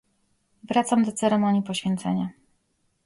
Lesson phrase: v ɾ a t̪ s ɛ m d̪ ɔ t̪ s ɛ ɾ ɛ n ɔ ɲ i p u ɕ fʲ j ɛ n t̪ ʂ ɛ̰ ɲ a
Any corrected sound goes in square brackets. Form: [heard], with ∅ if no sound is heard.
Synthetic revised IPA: v ɾ a t̪ s [a] m d̪ ɔ t̪ s ɛ ɾ ɛ [m] ɔ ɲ i p [ɔ] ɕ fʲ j ɛ n t̪ [s] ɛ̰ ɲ a